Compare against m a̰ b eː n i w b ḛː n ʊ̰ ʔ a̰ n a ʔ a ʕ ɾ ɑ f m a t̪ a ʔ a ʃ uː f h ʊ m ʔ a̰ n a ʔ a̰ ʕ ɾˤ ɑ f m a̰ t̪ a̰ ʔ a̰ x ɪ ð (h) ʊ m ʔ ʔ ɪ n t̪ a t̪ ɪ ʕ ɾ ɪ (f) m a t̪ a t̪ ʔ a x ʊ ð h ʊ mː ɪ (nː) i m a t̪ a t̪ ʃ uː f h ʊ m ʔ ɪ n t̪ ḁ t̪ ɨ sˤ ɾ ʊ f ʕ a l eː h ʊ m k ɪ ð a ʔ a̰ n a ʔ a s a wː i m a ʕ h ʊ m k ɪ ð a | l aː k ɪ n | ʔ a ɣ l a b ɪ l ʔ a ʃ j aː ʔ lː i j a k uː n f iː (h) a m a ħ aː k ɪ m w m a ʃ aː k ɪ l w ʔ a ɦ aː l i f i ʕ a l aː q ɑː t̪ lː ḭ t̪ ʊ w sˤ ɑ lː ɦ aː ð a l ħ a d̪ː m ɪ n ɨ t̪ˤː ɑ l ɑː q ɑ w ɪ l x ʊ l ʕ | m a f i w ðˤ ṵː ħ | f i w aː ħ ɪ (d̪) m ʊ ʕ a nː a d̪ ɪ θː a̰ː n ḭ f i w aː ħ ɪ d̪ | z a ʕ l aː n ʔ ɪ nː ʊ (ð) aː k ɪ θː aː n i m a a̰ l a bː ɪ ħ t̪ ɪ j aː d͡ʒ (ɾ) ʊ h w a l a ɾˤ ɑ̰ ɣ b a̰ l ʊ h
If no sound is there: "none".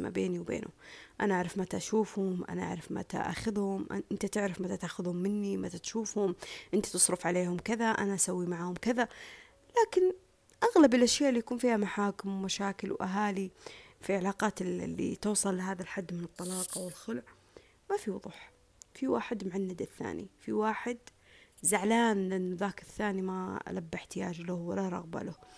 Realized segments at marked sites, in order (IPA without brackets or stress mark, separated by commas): h, f, nː, h, d̪, ð, l